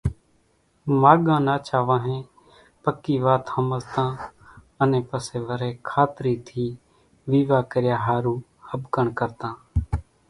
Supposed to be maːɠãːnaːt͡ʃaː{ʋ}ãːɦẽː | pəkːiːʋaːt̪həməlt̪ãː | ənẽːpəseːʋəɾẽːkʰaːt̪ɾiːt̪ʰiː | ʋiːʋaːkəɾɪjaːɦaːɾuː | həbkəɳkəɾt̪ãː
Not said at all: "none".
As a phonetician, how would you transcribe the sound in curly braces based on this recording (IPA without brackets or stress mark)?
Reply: ʋ